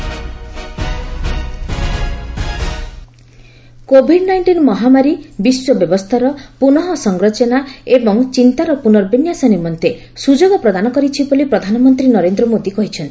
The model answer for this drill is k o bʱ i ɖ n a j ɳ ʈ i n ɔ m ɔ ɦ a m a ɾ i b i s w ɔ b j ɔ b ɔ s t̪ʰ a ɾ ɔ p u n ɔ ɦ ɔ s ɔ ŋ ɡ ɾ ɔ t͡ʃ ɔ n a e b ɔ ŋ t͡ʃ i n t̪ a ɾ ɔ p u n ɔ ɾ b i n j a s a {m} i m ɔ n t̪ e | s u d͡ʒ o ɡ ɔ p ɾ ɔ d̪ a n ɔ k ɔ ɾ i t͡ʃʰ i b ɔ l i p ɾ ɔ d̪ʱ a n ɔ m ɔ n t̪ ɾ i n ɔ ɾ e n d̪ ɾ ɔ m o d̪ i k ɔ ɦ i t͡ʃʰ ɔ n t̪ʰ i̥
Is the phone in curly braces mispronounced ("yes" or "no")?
yes